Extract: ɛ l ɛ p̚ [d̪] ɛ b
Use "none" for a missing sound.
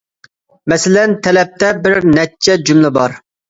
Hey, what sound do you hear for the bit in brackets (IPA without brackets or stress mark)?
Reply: t̪